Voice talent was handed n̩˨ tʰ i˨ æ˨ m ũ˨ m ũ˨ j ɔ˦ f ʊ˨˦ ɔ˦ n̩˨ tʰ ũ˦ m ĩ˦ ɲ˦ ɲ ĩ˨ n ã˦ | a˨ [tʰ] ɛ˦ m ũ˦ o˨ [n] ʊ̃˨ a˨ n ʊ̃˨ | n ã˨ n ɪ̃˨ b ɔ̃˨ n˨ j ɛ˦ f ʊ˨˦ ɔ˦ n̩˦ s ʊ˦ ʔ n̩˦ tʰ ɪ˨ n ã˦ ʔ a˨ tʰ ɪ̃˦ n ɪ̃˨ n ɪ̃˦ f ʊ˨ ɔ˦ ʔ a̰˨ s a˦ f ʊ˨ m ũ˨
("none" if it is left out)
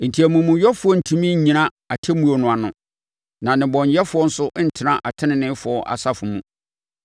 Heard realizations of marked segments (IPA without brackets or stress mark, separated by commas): tʰ, n